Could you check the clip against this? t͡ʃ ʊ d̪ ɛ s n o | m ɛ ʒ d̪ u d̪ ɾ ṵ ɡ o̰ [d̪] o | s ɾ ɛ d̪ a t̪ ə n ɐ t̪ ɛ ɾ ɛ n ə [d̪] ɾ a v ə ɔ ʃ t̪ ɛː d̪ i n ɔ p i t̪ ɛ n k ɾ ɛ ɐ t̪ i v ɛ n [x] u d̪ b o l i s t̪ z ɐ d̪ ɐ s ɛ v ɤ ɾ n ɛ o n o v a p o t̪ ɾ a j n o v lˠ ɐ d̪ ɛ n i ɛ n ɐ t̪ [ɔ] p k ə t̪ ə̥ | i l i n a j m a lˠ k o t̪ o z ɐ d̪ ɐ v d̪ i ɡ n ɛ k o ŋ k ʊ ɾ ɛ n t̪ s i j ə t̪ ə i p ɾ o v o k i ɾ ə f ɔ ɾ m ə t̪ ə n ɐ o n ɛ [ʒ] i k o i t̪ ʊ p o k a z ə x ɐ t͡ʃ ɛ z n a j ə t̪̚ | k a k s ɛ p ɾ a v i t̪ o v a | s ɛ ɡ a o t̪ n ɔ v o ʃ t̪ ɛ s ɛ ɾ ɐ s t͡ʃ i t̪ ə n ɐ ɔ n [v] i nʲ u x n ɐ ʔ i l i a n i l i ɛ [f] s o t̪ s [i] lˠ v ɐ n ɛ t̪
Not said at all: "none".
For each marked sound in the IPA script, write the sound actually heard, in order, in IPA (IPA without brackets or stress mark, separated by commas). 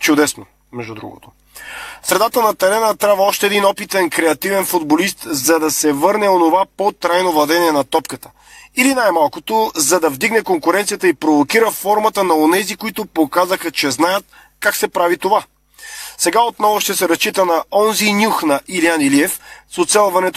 t̪, t̪, f, ɔ, z, z, f, ɛ